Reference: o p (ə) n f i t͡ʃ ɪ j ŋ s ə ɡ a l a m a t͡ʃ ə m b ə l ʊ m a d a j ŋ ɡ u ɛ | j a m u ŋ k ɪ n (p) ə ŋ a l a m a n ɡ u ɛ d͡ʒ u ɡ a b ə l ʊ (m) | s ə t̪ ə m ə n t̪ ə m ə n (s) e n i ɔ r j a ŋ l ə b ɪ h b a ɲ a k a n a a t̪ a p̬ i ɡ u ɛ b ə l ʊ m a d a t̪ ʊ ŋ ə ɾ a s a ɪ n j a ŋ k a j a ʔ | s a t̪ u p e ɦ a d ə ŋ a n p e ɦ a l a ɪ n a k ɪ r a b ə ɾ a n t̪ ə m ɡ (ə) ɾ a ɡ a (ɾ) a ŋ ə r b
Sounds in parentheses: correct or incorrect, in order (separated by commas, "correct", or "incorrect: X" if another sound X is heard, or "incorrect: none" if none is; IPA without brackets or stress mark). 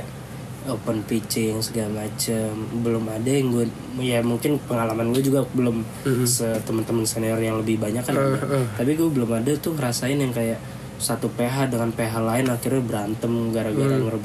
correct, correct, correct, correct, incorrect: a, correct